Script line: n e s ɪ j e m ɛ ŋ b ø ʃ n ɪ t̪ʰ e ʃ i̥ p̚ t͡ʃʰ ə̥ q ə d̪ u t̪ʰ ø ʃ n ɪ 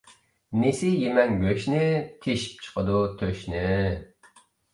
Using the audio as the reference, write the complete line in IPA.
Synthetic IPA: n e s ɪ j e m ɛ ŋ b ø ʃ n ɪ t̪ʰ e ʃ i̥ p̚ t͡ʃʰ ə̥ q ə d̪ u t̪ʰ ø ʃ n ɪ